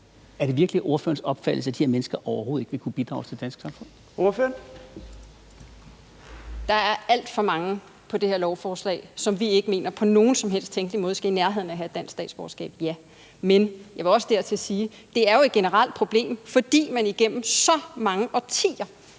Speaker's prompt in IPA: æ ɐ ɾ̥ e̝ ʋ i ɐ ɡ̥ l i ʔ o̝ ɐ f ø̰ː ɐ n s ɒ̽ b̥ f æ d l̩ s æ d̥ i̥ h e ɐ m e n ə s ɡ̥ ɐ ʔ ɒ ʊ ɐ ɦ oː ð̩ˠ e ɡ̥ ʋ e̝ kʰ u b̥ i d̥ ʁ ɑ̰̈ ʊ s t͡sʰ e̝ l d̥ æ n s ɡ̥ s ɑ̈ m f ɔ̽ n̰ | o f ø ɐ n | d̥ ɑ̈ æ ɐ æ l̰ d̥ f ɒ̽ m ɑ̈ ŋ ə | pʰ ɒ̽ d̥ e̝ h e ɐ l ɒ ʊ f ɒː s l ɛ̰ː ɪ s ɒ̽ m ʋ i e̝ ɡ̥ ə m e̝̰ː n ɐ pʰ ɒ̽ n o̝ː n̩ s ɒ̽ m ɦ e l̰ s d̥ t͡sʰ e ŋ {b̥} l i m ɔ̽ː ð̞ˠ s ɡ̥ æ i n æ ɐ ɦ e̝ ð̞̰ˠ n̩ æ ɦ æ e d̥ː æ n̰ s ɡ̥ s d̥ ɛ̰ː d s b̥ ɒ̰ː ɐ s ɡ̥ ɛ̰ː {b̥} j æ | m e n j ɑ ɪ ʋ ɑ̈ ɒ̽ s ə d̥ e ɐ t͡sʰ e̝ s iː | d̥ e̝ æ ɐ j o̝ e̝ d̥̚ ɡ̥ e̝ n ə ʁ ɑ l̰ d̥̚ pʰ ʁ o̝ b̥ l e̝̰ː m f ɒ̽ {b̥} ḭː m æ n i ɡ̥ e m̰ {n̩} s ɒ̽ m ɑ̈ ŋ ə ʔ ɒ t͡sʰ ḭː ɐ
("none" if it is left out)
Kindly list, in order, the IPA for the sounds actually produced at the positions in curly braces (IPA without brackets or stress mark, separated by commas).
ɡ̥, b̥, d̥, m̩